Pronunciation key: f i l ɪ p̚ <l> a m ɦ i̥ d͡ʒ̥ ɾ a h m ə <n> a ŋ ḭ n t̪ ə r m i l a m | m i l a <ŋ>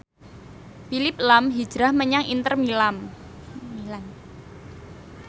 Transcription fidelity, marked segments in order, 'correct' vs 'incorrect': correct, incorrect, incorrect

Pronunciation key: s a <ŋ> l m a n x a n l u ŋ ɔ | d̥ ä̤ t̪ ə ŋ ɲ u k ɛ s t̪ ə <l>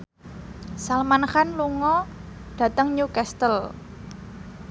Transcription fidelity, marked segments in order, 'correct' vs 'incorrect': incorrect, correct

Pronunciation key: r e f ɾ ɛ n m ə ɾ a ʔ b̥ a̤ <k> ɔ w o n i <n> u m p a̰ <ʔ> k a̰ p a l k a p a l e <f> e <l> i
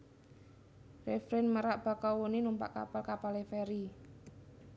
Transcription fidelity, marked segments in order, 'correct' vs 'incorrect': correct, correct, correct, correct, incorrect

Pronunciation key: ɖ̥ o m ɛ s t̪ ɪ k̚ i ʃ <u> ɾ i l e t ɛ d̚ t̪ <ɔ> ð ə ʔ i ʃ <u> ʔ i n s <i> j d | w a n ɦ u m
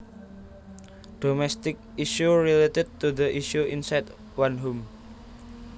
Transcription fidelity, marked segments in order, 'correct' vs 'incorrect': correct, incorrect, correct, incorrect

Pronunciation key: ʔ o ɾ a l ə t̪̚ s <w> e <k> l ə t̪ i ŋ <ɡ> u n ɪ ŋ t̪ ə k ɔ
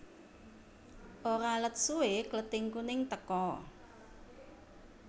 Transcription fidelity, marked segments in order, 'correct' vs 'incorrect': incorrect, correct, incorrect

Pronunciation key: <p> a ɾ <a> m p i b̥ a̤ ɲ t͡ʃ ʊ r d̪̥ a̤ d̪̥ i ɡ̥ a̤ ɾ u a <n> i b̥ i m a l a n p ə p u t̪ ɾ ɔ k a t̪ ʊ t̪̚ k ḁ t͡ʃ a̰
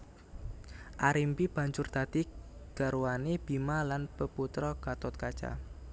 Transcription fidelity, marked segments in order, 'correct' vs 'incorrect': incorrect, incorrect, correct

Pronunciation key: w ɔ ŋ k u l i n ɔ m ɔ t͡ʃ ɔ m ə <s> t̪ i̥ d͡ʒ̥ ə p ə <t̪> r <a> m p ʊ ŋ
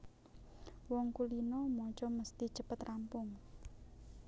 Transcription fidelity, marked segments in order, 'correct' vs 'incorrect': correct, correct, correct

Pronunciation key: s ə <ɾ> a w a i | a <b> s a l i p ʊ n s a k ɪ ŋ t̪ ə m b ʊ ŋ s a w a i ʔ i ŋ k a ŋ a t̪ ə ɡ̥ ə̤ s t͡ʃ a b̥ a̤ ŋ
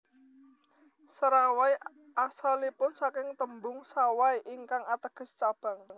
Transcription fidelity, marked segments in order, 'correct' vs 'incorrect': correct, incorrect

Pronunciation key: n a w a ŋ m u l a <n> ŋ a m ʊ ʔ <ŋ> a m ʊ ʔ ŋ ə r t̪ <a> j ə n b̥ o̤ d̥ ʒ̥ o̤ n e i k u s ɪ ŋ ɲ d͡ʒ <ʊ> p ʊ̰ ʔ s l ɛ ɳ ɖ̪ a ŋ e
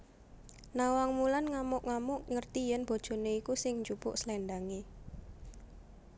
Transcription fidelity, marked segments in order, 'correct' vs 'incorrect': correct, correct, incorrect, incorrect

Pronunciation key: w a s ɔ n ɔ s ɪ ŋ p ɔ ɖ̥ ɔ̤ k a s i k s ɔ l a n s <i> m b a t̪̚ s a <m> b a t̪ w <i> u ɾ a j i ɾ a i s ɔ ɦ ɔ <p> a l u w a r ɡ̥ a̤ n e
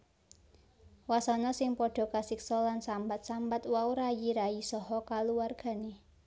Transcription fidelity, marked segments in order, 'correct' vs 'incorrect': incorrect, correct, incorrect, incorrect

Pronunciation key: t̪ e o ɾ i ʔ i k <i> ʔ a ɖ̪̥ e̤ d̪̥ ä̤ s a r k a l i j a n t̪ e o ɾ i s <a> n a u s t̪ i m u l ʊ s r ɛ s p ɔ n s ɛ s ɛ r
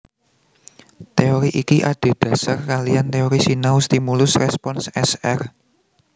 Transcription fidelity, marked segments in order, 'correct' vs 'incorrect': correct, incorrect

